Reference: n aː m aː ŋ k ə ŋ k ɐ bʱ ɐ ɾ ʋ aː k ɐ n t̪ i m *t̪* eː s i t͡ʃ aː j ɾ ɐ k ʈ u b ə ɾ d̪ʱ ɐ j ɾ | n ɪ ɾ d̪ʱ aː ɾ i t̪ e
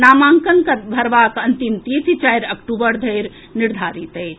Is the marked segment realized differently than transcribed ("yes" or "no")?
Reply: no